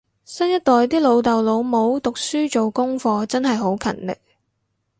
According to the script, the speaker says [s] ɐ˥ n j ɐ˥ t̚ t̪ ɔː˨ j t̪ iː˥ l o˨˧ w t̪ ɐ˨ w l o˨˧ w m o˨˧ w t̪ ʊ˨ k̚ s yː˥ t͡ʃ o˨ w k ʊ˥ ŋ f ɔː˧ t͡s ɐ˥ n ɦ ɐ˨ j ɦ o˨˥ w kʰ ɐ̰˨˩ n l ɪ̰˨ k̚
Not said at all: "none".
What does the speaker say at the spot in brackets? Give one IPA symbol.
s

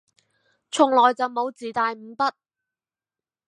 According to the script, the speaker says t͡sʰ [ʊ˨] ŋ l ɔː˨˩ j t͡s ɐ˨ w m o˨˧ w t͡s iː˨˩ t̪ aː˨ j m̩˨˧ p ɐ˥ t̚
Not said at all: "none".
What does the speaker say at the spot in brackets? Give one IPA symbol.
ʊ˨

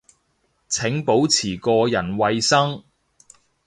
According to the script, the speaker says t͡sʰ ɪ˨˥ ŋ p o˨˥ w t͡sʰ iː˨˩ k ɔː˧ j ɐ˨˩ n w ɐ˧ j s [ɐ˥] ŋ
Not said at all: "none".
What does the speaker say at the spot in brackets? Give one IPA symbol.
ɐ˥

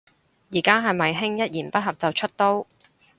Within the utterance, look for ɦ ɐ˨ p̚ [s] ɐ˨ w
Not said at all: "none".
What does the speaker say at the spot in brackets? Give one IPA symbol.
t͡s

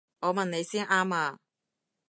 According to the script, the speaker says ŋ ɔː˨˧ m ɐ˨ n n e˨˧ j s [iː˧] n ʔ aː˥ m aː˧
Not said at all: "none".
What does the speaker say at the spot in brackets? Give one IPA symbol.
iː˥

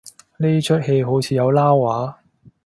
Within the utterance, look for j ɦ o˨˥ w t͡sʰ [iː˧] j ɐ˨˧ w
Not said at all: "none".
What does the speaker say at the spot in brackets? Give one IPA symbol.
iː˧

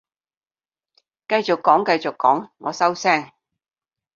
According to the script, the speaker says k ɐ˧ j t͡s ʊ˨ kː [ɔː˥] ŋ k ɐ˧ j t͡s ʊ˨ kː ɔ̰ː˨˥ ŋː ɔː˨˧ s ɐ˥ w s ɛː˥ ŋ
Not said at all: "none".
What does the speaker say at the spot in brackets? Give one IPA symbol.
ɔː˨˥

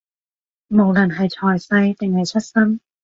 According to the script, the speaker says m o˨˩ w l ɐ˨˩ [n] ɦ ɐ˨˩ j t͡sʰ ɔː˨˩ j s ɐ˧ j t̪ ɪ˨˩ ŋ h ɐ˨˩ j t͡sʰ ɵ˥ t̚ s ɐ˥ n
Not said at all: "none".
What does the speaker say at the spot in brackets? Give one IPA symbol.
n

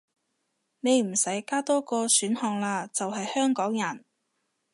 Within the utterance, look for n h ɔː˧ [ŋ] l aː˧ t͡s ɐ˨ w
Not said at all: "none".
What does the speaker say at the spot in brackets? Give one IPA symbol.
ŋ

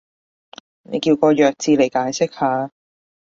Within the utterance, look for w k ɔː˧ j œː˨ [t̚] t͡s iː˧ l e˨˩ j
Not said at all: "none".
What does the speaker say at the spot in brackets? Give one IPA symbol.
k̚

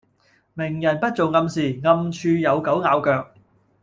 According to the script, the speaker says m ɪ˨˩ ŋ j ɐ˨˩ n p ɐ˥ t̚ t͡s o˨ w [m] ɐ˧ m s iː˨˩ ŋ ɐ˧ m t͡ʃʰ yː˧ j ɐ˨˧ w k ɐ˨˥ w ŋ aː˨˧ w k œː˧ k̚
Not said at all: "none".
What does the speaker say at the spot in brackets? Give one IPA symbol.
ŋ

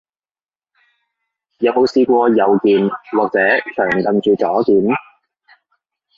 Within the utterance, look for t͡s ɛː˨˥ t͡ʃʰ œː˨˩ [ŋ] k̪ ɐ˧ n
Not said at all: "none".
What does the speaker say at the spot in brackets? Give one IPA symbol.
ŋ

